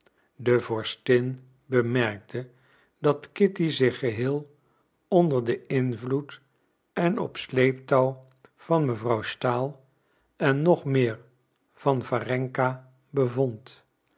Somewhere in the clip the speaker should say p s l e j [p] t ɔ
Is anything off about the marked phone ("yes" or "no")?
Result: no